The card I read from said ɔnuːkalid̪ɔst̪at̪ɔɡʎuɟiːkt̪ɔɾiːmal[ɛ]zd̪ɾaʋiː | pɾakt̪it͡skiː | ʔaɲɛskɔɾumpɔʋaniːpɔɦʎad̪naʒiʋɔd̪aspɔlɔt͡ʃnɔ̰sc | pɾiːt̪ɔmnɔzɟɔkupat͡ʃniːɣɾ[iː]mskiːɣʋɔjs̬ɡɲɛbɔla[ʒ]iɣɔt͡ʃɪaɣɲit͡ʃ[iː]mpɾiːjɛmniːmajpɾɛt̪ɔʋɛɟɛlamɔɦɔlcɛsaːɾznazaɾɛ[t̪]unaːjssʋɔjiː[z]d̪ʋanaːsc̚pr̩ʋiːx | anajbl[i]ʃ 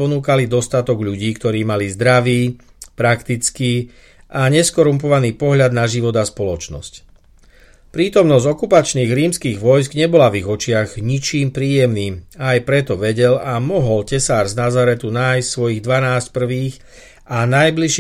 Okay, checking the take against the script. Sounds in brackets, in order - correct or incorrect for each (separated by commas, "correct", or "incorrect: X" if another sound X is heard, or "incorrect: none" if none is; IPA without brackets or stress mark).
incorrect: i, correct, incorrect: v, correct, correct, incorrect: ɣ, correct